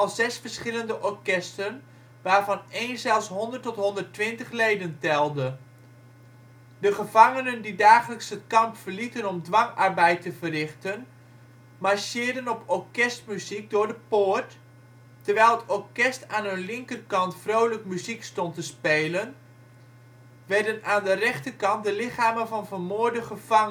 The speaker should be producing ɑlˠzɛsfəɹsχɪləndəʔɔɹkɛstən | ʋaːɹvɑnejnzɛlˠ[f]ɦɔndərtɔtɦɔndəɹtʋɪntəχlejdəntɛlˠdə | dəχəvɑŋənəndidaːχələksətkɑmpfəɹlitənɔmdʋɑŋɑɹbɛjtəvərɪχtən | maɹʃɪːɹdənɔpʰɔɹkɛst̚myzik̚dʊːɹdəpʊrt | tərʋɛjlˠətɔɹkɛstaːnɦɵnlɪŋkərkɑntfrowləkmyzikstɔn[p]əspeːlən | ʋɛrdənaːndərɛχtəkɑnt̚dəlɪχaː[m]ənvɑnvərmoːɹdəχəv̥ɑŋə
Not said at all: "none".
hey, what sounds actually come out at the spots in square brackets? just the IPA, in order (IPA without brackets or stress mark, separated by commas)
s, t, m